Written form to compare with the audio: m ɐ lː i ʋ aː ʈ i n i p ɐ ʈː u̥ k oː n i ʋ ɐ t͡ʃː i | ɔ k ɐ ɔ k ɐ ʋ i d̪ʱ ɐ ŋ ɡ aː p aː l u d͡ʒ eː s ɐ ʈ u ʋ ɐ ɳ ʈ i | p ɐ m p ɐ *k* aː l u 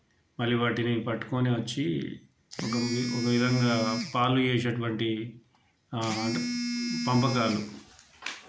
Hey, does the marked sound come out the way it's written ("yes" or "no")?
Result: yes